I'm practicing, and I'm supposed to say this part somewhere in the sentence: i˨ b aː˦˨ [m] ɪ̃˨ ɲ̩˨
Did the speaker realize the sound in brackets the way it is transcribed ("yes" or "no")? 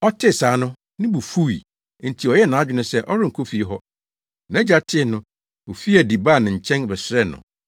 no